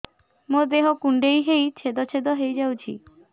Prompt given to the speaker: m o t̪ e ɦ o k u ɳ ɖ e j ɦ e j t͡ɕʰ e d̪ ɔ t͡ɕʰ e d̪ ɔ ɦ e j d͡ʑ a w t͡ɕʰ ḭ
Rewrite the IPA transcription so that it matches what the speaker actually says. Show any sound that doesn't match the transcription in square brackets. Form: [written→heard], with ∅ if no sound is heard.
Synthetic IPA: m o [t̪→d̪] e ɦ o k u ɳ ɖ e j ɦ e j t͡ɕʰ e d̪ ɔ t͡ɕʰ e d̪ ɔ ɦ e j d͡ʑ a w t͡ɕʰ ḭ

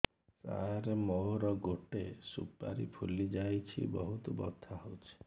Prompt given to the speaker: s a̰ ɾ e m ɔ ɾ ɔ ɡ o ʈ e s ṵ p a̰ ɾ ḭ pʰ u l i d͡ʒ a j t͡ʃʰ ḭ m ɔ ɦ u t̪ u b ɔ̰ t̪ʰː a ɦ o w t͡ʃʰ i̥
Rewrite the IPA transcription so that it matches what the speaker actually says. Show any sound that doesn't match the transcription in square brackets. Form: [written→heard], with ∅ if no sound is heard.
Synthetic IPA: s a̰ ɾ e m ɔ ɾ ɔ ɡ o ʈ e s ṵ p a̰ ɾ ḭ pʰ u l i d͡ʒ a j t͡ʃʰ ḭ [m→b] ɔ ɦ u t̪ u b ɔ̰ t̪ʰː a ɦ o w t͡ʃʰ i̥

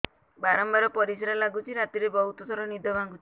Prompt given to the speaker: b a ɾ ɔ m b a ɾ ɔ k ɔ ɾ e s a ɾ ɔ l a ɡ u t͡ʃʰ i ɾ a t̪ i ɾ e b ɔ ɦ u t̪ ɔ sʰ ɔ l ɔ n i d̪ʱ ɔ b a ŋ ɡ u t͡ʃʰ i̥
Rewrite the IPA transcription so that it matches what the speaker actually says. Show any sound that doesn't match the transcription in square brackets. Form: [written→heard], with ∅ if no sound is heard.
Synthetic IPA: b a ɾ ɔ m b a ɾ ɔ [k→p] ɔ ɾ [e→i] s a ɾ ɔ l a ɡ u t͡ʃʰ i ɾ a t̪ i ɾ e b ɔ ɦ u t̪ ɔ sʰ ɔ [l→ɾ] ɔ n i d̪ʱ ɔ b a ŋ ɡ u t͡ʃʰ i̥

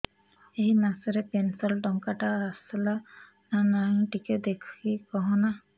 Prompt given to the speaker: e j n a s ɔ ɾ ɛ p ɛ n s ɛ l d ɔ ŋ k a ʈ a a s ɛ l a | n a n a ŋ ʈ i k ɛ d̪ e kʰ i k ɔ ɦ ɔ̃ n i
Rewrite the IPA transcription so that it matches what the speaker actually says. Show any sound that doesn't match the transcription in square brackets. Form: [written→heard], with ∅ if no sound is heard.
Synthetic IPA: e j n a s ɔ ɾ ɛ p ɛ n s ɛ l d ɔ ŋ k a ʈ a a s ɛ l a | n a n a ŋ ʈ i k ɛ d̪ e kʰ i k ɔ ɦ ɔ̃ n [i→a]

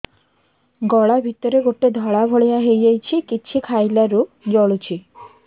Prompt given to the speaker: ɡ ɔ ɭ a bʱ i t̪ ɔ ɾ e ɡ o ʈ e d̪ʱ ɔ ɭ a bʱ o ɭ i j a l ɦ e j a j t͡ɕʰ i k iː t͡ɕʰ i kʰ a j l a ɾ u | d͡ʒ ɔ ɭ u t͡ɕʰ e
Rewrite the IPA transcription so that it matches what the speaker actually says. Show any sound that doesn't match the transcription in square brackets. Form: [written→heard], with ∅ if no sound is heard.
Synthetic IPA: ɡ ɔ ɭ a bʱ i t̪ ɔ ɾ e ɡ o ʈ e d̪ʱ ɔ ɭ a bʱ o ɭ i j a [l→∅] ɦ e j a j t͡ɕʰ i k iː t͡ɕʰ i kʰ a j l a ɾ u | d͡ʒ ɔ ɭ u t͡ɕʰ [e→i]

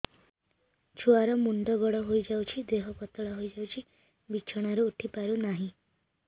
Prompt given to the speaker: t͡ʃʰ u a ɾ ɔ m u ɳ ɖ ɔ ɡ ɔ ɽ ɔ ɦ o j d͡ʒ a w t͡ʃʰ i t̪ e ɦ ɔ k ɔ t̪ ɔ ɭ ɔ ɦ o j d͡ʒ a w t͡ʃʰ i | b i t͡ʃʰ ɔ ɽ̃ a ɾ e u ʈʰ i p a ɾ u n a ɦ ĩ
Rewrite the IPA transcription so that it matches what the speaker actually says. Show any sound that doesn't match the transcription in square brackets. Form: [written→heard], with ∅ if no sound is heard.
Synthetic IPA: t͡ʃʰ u a ɾ ɔ m u ɳ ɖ ɔ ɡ ɔ ɽ ɔ ɦ o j d͡ʒ a w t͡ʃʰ i [t̪→d̪] e ɦ ɔ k ɔ t̪ ɔ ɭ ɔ ɦ o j d͡ʒ a w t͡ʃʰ i | b i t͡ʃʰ ɔ ɽ̃ a ɾ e u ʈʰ i p a ɾ u n a ɦ ĩ

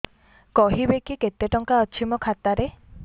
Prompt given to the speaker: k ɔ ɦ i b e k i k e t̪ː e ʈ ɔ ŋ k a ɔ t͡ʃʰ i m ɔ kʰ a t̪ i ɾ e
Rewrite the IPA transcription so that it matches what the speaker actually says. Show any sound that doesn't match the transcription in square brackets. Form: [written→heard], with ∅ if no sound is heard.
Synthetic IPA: k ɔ ɦ i b e k i k e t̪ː e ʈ ɔ ŋ k a ɔ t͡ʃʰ i m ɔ kʰ a t̪ [i→a] ɾ e

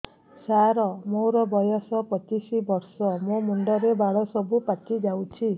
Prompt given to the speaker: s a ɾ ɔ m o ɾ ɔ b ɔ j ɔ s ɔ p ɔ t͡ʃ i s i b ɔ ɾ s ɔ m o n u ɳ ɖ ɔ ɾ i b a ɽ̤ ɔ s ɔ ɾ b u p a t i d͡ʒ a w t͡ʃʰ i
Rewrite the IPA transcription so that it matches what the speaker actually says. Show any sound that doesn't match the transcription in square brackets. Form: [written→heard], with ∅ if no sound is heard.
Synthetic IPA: s a ɾ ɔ m o ɾ ɔ b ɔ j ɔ s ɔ p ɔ t͡ʃ i s i b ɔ ɾ s ɔ m o [n→m] u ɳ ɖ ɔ ɾ [i→e] b a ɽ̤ ɔ s ɔ [ɾ→∅] b u p a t i d͡ʒ a w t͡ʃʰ i

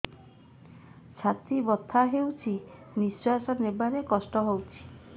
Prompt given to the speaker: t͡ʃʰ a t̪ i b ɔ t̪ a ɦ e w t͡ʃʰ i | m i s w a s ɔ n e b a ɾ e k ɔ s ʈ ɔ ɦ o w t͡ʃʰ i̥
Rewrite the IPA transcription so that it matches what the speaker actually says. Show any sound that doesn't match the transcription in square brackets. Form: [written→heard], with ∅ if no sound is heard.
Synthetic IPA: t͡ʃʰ a t̪ i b ɔ [t̪→t̪ʰ] a ɦ e w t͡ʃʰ i | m i s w a s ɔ n e b a ɾ e k ɔ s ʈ ɔ ɦ o w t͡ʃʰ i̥

